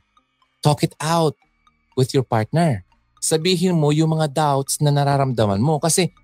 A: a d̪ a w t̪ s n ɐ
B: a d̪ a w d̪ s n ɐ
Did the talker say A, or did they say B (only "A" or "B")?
A